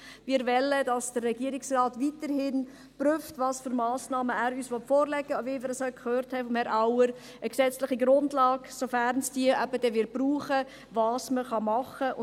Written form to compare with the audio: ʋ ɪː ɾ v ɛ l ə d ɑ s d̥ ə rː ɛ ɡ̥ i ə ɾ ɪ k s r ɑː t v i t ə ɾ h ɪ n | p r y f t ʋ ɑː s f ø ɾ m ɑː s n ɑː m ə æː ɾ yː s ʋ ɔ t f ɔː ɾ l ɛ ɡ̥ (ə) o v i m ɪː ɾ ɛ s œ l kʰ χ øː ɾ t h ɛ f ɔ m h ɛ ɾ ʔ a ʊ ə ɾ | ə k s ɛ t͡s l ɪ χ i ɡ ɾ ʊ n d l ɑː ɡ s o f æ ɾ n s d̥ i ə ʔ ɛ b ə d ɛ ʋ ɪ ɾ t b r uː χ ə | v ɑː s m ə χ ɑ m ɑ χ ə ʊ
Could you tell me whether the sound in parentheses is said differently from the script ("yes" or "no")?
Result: no